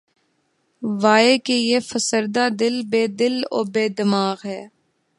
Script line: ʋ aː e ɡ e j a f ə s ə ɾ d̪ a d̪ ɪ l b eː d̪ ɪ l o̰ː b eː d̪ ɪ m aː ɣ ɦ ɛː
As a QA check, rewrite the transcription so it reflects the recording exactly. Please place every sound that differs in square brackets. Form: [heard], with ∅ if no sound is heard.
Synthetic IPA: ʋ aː e [k] e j [e] f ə s ə ɾ d̪ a d̪ ɪ l b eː d̪ ɪ l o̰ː b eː d̪ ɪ m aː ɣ ɦ ɛː